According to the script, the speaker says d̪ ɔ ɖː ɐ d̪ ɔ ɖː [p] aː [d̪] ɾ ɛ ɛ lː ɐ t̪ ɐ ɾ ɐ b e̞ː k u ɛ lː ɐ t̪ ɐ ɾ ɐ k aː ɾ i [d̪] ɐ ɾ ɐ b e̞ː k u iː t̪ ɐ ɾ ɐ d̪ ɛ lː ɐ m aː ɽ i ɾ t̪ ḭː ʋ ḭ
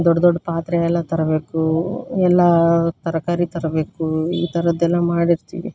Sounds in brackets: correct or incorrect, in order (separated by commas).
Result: correct, incorrect, incorrect